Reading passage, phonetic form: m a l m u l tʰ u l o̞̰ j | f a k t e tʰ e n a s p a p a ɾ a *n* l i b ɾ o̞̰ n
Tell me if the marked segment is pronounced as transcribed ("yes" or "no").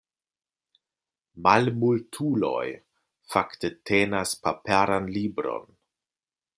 yes